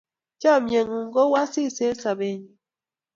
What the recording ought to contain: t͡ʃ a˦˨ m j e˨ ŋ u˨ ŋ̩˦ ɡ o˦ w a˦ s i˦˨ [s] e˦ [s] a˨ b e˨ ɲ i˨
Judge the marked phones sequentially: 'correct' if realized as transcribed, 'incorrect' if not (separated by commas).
correct, correct